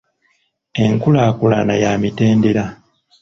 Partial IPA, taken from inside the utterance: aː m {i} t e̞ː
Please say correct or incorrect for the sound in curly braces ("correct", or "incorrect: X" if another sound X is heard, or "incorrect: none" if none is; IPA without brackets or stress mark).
correct